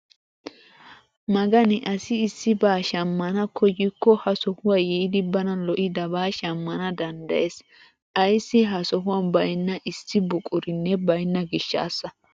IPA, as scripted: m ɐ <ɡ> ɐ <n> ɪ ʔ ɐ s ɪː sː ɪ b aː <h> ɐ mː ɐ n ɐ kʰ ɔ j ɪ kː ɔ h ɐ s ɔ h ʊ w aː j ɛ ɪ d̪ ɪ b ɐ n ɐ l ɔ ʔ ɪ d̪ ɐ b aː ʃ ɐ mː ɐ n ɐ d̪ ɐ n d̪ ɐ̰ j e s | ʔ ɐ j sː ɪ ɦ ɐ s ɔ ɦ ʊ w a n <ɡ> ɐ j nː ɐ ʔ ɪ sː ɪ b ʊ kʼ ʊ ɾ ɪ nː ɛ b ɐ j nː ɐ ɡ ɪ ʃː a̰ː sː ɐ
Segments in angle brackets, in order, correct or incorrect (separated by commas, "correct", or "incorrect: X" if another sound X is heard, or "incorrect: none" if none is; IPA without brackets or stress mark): correct, correct, incorrect: ʃ, incorrect: b